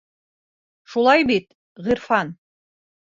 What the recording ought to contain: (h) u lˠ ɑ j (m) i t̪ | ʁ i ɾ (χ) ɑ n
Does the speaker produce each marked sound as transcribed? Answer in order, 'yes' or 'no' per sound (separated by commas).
no, no, no